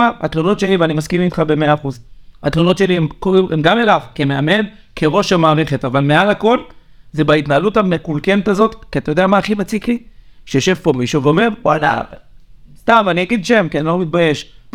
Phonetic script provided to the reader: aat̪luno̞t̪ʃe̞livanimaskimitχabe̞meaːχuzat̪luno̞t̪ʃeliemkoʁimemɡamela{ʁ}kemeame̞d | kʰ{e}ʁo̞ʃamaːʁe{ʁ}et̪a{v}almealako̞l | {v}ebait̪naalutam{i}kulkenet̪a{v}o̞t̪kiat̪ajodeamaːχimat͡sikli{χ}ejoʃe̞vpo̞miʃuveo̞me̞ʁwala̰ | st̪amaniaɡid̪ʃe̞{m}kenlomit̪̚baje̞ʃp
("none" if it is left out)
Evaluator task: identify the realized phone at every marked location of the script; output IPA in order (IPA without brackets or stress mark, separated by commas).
v, e, χ, v, z, e, z, ʃ, m